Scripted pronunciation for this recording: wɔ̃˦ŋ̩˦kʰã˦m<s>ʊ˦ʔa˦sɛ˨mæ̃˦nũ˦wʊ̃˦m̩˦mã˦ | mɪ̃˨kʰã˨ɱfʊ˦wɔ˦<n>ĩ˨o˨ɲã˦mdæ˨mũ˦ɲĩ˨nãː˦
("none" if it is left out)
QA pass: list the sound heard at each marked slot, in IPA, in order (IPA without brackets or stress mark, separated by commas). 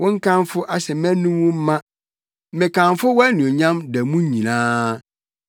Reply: f, n